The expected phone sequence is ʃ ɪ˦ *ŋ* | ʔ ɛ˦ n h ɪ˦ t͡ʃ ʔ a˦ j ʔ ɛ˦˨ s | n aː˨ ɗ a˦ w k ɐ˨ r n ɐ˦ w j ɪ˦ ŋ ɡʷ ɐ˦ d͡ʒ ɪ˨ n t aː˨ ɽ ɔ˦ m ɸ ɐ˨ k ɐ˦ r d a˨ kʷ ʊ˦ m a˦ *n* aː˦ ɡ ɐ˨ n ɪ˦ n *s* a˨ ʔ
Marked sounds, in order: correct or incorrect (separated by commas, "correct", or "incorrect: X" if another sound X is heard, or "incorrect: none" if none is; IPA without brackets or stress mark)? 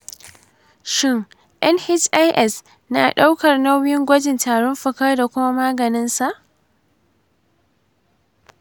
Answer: correct, incorrect: m, correct